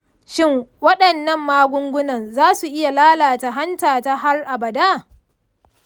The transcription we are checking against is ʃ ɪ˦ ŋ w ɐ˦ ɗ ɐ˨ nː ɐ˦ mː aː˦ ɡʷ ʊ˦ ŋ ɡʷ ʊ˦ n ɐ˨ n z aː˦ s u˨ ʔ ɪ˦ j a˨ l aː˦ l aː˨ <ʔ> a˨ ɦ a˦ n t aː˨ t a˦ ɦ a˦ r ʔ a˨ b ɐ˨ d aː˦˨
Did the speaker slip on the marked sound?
yes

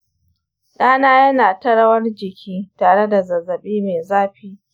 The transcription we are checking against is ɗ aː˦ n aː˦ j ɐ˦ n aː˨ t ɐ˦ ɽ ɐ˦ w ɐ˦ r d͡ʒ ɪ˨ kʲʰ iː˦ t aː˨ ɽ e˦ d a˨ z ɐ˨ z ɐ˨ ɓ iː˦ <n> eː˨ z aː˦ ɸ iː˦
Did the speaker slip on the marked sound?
yes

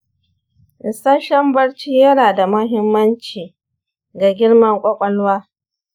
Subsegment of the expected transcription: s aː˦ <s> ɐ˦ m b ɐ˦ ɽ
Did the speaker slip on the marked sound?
yes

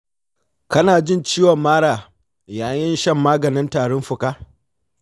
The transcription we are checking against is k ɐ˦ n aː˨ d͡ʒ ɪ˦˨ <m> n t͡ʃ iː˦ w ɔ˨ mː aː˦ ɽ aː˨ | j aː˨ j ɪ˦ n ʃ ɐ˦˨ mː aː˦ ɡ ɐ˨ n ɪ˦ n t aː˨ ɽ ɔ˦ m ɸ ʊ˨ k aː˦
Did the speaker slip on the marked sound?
yes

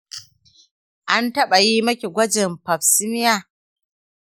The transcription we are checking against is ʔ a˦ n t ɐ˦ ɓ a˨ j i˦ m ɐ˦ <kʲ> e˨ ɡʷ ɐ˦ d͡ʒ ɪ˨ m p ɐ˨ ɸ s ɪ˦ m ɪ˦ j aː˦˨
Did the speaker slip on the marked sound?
no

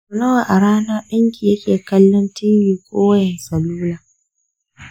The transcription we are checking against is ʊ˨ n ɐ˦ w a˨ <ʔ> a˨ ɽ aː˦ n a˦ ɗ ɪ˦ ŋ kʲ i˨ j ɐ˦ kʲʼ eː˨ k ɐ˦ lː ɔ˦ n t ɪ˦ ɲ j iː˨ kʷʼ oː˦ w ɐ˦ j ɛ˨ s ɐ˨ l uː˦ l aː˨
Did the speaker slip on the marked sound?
no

